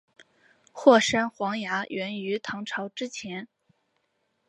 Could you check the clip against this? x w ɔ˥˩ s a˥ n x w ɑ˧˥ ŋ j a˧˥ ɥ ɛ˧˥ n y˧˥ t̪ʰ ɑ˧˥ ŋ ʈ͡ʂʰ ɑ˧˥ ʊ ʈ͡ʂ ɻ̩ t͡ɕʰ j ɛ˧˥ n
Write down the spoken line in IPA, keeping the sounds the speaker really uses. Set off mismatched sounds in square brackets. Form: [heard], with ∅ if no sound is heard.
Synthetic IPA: x w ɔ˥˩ [ʂ] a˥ n x w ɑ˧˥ ŋ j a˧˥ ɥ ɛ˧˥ n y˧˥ t̪ʰ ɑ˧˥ ŋ ʈ͡ʂʰ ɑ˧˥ ʊ ʈ͡ʂ ɻ̩ t͡ɕʰ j ɛ˧˥ n

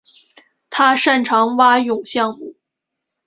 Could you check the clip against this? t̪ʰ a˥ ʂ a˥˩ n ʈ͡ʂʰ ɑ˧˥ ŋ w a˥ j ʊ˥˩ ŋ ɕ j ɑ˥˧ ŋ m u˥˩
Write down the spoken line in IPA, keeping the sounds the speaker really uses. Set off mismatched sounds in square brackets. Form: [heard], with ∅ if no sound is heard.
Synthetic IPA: t̪ʰ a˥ ʂ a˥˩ n ʈ͡ʂʰ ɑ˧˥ ŋ w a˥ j [ʊ˨˩] ŋ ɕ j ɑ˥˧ ŋ m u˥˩

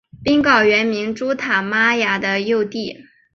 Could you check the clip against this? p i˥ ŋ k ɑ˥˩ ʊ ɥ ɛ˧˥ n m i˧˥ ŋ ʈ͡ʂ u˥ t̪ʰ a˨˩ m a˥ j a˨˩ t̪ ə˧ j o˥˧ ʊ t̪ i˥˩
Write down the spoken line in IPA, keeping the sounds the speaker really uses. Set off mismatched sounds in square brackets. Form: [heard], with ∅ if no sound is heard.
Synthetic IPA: p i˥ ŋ k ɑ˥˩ ʊ ɥ ɛ˧˥ n m i˧˥ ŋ ʈ͡ʂ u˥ t̪ʰ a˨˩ m a˥ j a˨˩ [d̪] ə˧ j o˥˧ ʊ t̪ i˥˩

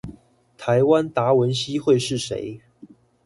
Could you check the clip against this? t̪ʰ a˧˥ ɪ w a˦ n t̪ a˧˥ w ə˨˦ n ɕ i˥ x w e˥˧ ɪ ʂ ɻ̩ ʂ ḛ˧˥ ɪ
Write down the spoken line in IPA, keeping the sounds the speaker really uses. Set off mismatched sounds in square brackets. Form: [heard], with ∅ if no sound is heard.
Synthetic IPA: t̪ʰ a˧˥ ɪ w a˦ n t̪ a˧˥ w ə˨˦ n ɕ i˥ x w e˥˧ ɪ ʂ ɻ̩ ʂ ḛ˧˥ ɪ

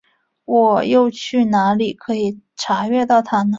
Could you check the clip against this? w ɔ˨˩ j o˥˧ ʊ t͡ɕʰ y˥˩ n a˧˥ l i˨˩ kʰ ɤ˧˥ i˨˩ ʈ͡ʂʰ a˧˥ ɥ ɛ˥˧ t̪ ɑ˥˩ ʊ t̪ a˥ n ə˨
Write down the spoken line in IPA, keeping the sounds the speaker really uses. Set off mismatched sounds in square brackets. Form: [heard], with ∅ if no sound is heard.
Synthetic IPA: w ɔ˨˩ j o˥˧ ʊ t͡ɕʰ y˥˩ n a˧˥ l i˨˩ kʰ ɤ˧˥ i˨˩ ʈ͡ʂʰ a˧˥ ɥ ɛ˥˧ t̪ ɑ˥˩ ʊ [t̪ʰ] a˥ n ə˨

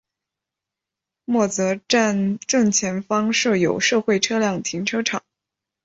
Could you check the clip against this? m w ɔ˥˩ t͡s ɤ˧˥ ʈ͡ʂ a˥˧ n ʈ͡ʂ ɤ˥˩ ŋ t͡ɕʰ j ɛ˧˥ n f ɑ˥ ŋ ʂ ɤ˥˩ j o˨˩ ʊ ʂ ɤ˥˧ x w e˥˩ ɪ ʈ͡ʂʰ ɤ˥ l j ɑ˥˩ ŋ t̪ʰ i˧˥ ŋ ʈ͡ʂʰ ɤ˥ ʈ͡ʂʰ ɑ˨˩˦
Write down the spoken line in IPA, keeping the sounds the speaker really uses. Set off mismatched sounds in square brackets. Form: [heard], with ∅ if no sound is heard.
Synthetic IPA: m w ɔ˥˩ t͡s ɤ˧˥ ʈ͡ʂ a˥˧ n ʈ͡ʂ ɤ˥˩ ŋ t͡ɕʰ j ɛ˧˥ n f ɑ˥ ŋ ʂ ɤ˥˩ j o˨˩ ʊ ʂ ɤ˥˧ x w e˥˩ ɪ ʈ͡ʂʰ ɤ˥ l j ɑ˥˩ ŋ t̪ʰ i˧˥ ŋ ʈ͡ʂʰ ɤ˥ ʈ͡ʂʰ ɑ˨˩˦

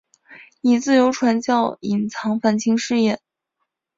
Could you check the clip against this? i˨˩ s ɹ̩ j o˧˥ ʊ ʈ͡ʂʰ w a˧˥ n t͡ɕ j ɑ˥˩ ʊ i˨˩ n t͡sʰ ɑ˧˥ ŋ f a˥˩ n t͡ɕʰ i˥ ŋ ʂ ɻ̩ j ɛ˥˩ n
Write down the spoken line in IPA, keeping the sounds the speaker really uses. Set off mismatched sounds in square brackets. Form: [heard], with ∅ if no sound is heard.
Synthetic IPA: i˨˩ [t͡s] ɹ̩ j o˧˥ ʊ ʈ͡ʂʰ w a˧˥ n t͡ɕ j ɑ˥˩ ʊ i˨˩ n t͡sʰ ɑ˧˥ ŋ f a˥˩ n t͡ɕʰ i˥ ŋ ʂ ɻ̩ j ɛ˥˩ n

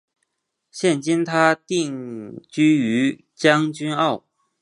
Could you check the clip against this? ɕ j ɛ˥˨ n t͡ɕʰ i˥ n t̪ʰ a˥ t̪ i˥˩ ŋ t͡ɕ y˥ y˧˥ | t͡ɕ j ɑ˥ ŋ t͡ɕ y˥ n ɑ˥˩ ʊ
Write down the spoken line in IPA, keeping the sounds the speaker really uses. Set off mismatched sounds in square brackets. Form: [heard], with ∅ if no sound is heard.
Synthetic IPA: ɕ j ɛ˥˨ n [t͡ɕ] i˥ n t̪ʰ a˥ t̪ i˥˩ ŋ t͡ɕ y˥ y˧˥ | t͡ɕ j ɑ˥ ŋ t͡ɕ y˥ n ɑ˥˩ ʊ

